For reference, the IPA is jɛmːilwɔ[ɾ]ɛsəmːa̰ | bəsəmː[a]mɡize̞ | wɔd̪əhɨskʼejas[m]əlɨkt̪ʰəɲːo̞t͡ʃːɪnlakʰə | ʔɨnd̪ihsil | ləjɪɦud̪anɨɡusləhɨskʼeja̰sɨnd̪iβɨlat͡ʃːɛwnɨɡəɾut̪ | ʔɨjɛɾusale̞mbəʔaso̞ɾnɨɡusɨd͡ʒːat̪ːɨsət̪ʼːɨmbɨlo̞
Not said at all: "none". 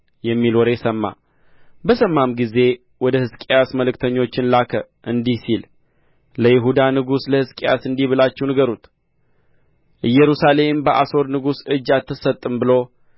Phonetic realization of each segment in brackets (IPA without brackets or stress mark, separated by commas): ɾ, a, m